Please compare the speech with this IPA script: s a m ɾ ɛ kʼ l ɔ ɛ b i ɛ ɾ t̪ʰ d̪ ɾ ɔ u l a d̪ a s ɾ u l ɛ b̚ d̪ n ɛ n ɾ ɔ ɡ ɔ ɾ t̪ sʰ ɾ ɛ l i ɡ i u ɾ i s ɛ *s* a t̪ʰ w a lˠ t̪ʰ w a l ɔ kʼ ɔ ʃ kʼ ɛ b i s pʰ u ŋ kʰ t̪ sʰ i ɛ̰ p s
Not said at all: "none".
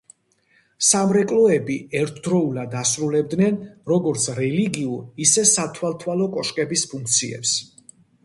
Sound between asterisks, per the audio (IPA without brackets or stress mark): s